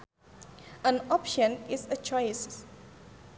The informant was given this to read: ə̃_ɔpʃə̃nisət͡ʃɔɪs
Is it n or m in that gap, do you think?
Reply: n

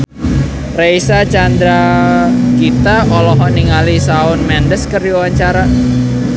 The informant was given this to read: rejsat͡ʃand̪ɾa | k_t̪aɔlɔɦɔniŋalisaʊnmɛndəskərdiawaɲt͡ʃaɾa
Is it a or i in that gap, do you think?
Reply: i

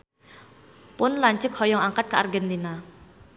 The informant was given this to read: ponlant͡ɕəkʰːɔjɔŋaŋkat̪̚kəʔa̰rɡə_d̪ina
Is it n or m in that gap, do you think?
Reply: n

